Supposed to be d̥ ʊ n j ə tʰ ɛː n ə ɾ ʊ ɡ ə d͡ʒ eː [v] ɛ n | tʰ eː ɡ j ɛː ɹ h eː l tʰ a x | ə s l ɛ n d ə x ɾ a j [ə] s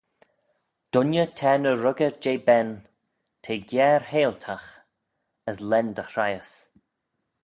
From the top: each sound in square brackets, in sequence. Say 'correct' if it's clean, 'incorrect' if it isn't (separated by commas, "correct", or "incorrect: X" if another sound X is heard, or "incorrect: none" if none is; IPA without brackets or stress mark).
incorrect: b, correct